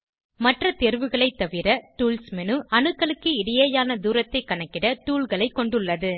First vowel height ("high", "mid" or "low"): low